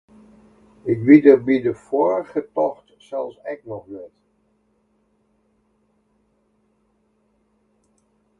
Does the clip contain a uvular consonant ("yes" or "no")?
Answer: yes